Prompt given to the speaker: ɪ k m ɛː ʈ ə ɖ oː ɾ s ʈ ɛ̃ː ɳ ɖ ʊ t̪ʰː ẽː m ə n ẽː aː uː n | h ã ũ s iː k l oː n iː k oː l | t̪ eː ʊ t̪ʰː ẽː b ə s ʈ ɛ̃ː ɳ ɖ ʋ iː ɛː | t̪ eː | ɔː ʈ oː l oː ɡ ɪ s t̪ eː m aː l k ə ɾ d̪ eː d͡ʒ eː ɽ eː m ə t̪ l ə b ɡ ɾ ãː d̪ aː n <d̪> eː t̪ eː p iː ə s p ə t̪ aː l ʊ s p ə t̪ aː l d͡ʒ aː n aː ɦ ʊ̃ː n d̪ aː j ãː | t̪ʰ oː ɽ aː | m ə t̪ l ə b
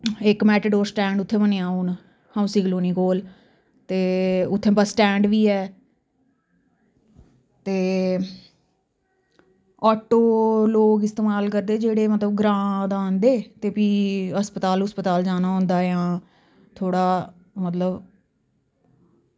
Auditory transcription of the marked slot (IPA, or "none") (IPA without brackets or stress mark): d̪